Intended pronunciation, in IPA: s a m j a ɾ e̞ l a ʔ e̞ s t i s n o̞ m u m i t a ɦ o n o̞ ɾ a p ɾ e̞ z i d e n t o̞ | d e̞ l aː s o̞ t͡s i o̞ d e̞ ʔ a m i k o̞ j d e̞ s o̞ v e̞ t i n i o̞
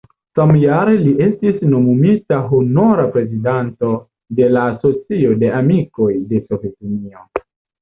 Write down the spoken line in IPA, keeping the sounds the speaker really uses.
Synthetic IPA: s a m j a ɾ e̞ l i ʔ e̞ s t i s n o̞ m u m i t a ɦ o n o̞ ɾ a p ɾ e̞ z i d a n t o̞ | d e̞ l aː s o̞ t͡s i o̞ d e̞ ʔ a m i k o̞ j d e̞ s o̞ v e̞ t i n i o̞

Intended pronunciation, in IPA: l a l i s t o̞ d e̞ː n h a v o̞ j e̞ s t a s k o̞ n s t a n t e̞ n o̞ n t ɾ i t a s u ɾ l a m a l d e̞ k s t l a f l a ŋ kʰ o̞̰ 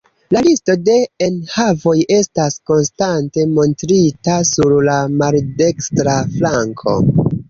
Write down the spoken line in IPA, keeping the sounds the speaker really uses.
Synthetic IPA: l a l i s t o̞ d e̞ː n h a v o̞ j e̞ s t a s k o̞ n s t a n t e̞ m o̞ n t ɾ i t a s u ɾ l a m a l d e̞ k s t ɾ a f l a ŋ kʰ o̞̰

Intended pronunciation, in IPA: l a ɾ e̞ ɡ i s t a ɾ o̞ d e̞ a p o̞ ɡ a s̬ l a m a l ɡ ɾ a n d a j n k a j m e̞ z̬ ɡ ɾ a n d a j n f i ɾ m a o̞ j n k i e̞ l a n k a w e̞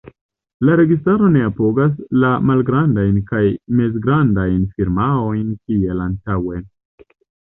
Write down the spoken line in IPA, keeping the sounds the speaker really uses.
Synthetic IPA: l a ɾ e̞ ɡ i s t a ɾ o̞ n e̞ a p o̞ ɡ a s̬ l a m a l ɡ ɾ a n d a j n k a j m e̞ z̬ ɡ ɾ a n d a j n f i ɾ m a o̞ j n k i e̞ l a n t a w e̞

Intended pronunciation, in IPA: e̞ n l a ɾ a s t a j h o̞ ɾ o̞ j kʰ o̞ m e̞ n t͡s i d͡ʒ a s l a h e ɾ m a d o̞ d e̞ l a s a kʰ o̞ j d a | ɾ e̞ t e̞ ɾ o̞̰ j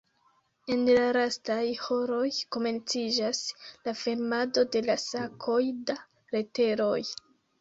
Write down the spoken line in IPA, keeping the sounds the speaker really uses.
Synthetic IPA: e̞ n l a ɾ a s t a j h o̞ ɾ o̞ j k o̞ m e̞ n t͡s i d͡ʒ a s l a f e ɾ m a d o̞ d e̞ l a s a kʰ o̞ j d a | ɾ e̞ t e̞ ɾ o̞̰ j

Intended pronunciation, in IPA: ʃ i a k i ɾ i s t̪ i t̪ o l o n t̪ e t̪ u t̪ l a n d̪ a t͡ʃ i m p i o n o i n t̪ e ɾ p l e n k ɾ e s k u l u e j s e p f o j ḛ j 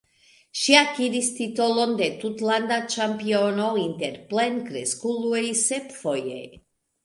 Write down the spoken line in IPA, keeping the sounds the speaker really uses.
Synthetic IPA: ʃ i a k i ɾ i s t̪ i t̪ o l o n d̪ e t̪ u t̪ l a n d̪ a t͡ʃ a m p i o n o i n t̪ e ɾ p l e n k ɾ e s k u l u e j s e p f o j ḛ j

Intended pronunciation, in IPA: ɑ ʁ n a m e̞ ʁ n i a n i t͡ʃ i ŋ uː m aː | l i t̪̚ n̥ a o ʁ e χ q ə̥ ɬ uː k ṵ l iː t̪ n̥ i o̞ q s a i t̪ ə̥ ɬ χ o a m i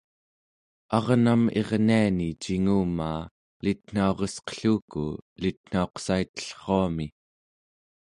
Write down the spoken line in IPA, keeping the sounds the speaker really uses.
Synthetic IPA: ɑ ʁ n a m e̞ ʁ n i a n i t͡ʃ i ŋ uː m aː | l i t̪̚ n̥ a o ʁ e s q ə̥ ɬ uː k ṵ l i t̪ n̥ a o̞ q s a i t̪ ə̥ ɬ χ o a m i

